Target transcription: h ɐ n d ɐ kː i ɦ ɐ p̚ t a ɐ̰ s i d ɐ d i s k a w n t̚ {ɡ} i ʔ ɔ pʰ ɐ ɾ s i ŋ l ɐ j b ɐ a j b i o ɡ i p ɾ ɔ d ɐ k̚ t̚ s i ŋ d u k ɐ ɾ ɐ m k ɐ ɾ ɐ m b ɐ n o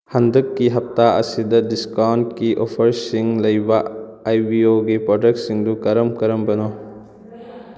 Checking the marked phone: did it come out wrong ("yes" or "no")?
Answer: yes